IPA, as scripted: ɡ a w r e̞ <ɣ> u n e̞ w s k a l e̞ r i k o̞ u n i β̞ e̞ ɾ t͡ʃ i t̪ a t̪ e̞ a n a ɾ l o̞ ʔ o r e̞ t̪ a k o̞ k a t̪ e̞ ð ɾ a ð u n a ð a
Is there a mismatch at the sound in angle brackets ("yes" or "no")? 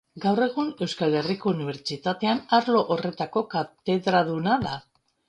no